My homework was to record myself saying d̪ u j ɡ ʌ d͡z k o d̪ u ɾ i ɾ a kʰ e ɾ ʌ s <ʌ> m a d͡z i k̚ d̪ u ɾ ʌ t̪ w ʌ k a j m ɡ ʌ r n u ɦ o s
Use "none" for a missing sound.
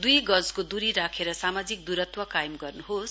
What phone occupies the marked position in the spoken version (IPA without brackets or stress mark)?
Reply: a